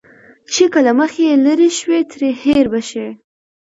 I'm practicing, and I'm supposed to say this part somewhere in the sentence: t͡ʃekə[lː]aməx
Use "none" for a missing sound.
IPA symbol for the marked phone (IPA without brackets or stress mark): l